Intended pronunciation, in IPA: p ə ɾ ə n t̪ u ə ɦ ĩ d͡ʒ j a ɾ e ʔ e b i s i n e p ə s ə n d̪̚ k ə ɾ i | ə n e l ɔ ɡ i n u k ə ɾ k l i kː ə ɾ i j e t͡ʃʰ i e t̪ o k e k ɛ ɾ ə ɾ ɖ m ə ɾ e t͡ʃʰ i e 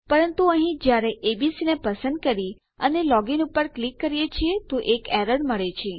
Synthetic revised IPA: p ə ɾ ə n t̪ u ə ɦ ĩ d͡ʒ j a ɾ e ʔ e b i s i n e p ə s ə n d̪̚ k ə ɾ i | ə n e l ɔ ɡ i n u p ə ɾ k l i kː ə ɾ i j e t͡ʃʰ i e t̪ o ʔ e k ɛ ɾ ə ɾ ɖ m ə ɭ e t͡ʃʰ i e